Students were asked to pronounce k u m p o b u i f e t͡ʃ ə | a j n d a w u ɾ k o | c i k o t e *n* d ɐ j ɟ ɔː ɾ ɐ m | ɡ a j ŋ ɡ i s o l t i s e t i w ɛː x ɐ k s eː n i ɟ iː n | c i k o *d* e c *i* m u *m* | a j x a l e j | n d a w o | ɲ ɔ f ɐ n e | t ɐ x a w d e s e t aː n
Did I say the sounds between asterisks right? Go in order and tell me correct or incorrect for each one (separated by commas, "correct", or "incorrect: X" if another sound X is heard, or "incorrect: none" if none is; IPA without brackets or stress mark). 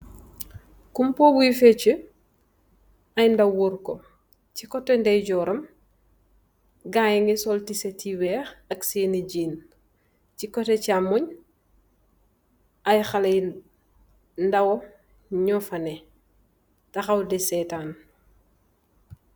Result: correct, incorrect: t, incorrect: a, incorrect: ɲ